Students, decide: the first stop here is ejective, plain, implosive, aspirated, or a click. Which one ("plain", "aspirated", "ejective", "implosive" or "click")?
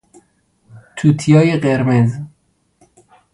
aspirated